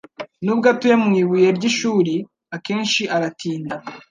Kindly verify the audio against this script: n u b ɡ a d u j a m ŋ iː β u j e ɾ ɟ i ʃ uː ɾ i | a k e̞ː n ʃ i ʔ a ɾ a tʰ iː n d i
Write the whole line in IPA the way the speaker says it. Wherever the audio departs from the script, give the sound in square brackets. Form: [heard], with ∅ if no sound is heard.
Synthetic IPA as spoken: n u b ɡ a [t] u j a m ŋ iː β u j e ɾ ɟ i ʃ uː ɾ i | a k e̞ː n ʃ i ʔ a ɾ a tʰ iː n d [a]

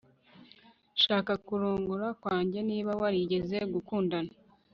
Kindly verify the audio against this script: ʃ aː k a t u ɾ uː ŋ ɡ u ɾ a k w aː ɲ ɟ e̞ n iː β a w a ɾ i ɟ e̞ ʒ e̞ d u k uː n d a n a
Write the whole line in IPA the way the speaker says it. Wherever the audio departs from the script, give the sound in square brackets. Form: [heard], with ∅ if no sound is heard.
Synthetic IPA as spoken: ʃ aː k a [k] u ɾ uː ŋ ɡ u ɾ a k w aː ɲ ɟ e̞ n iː β a w a ɾ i ɟ e̞ [z] e̞ [ɡ] u k uː n d a n a

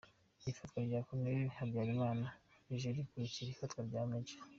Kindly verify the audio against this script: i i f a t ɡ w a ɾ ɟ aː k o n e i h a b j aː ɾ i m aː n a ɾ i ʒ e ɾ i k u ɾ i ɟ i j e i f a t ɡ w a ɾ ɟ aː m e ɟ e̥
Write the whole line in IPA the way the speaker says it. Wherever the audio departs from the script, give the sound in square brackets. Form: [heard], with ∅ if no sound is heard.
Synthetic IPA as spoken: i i f a t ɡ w a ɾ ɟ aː k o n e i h a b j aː ɾ i m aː n a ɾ i ʒ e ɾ i k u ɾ i [c] i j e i f a t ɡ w a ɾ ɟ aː m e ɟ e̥

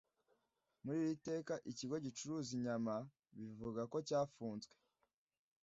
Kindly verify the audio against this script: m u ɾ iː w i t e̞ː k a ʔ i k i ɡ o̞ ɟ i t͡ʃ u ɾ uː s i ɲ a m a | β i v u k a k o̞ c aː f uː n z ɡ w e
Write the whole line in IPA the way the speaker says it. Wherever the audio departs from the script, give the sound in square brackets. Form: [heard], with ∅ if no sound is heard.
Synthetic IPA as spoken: m u ɾ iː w i t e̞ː k a ʔ i [c] i ɡ o̞ ɟ i t͡ʃ u ɾ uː [z] i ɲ a m a | β i v u [ɡ] a k o̞ c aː f uː n z ɡ w e

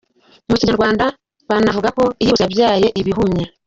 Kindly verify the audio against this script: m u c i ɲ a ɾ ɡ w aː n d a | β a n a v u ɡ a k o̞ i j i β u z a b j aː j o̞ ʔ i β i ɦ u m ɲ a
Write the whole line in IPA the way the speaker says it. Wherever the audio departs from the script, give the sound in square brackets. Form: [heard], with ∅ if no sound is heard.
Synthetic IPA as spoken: m u c i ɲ a ɾ ɡ w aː n d a | β a n a v u ɡ a k o̞ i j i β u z a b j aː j o̞ ʔ i β i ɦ u m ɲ a

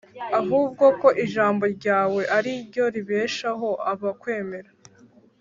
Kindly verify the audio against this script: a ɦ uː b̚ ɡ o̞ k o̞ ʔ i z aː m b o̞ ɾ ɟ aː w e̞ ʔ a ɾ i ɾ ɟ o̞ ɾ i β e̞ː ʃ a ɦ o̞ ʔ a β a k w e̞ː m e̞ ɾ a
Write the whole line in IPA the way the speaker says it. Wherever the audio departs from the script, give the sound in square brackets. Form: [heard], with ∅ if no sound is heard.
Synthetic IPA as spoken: a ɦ uː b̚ ɡ o̞ k o̞ ʔ i [ʒ] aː m b o̞ ɾ ɟ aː w e̞ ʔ a ɾ i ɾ ɟ o̞ ɾ i β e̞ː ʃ a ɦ o̞ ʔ a β a k w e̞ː m e̞ ɾ a

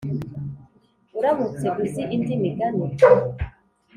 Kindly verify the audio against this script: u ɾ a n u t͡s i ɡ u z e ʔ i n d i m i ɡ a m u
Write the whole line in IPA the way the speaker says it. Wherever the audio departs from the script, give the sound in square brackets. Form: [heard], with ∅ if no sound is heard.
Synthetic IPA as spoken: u ɾ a [m] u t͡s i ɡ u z [i] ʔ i n d i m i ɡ a [n] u

